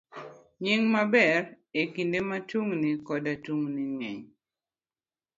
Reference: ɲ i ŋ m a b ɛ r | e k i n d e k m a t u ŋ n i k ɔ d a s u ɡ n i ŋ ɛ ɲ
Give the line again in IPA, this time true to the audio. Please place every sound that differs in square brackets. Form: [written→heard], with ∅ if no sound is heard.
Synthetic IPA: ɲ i ŋ m a b ɛ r | e k i n d e [k→∅] m a t u ŋ n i k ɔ d a [s→t] u [ɡ→ŋ] n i ŋ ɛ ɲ